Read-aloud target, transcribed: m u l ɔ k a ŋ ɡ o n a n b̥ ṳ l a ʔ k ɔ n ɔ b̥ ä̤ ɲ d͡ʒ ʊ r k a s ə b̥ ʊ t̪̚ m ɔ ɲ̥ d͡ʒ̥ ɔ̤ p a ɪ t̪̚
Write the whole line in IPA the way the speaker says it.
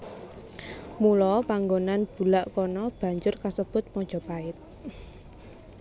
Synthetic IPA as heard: m u l ɔ p a ŋ ɡ o n a n b̥ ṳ l a ʔ k ɔ n ɔ b̥ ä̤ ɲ d͡ʒ ʊ r k a s ə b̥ ʊ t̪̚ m ɔ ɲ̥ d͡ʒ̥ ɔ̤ p a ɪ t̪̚